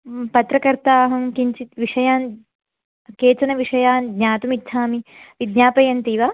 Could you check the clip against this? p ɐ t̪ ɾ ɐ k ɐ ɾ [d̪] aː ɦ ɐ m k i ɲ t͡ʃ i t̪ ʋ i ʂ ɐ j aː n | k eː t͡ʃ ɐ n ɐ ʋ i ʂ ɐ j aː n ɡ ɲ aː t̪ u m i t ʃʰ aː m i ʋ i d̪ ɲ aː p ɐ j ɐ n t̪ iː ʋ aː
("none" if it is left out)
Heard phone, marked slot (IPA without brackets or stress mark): t̪